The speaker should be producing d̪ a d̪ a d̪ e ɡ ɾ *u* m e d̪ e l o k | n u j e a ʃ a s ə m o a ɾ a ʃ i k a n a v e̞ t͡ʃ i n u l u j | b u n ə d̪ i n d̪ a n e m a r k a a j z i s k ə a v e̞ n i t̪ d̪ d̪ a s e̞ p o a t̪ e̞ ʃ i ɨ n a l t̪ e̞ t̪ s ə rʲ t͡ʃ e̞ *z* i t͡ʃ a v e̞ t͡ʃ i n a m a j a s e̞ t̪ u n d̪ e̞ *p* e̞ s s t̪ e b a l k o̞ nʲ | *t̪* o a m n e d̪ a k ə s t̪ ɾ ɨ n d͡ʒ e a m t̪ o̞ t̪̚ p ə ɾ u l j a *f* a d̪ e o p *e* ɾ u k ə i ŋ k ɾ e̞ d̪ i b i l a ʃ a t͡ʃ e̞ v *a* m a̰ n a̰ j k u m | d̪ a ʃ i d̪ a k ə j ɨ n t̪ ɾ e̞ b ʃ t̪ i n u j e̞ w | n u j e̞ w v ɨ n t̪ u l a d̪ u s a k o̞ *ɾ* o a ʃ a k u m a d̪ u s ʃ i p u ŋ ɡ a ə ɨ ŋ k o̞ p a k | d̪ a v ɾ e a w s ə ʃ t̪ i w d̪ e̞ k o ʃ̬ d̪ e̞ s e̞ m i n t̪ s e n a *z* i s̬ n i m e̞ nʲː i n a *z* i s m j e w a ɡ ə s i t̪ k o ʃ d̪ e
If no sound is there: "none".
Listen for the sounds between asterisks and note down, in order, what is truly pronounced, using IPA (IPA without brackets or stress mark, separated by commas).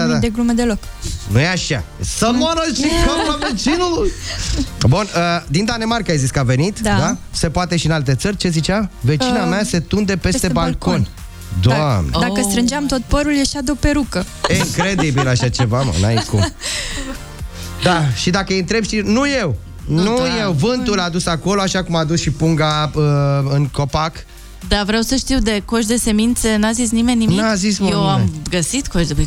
u, z, p, d̪, ʃ, e, a, l, z, z